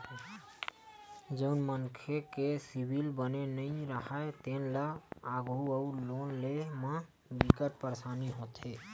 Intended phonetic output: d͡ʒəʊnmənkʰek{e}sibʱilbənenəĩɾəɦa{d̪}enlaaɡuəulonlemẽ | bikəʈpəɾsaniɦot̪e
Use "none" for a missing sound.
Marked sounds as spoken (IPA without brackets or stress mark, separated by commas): e, t̪